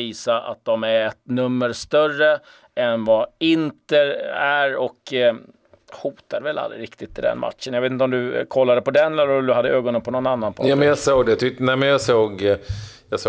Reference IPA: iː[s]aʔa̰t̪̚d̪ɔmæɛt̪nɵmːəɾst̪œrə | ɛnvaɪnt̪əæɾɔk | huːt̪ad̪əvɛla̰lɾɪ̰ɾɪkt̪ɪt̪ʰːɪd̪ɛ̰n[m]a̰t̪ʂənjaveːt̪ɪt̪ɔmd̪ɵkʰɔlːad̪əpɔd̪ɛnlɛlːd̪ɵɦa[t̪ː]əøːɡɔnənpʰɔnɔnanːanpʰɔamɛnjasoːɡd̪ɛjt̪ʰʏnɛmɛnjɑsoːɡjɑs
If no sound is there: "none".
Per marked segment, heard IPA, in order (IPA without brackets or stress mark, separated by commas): s, m, d̪ː